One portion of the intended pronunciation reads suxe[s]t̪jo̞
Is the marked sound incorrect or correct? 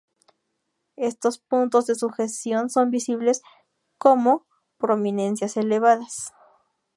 correct